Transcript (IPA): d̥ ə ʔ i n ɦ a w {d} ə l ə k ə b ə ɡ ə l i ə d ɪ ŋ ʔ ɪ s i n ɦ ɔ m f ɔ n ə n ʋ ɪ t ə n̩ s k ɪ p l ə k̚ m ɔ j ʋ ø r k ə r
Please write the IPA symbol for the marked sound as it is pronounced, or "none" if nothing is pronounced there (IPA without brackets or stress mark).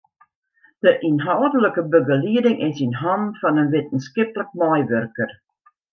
d